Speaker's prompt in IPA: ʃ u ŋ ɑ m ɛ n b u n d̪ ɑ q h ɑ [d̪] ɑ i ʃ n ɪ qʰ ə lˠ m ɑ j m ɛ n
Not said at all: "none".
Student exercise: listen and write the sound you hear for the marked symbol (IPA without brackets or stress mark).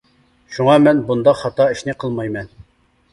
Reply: t̪